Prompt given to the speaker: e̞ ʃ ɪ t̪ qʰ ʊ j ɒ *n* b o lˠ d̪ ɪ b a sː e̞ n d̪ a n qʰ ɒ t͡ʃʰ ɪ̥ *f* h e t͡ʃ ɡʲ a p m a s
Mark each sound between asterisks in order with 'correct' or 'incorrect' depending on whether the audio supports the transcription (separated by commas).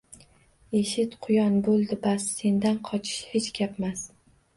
correct, incorrect